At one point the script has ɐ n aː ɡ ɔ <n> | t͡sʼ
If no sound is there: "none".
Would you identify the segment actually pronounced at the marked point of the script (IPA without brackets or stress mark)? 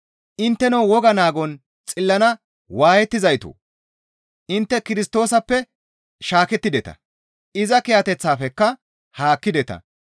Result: n